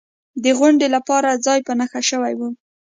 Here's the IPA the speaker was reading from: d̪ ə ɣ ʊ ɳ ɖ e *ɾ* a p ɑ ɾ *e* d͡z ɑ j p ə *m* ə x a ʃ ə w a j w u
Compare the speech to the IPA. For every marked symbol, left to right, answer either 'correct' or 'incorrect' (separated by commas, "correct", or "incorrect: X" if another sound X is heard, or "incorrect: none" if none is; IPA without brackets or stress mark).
incorrect: l, incorrect: a, incorrect: n